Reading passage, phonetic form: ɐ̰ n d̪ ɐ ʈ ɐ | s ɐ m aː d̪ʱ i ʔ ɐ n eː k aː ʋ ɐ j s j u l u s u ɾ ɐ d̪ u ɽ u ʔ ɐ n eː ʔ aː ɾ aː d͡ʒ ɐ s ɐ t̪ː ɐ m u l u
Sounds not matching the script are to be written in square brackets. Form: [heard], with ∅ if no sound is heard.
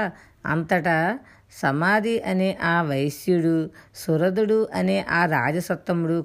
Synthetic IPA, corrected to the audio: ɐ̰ n [t̪] ɐ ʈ ɐ | s ɐ m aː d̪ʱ i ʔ ɐ n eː [ʔ] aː ʋ ɐ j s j u [ɽ] u s u ɾ ɐ d̪ u ɽ u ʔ ɐ n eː ʔ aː ɾ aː d͡ʒ ɐ s ɐ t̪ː ɐ m u [ɽ] u